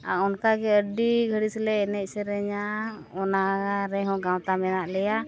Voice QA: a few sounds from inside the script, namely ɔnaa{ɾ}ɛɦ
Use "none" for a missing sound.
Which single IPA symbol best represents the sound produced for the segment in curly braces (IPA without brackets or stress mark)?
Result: ɾ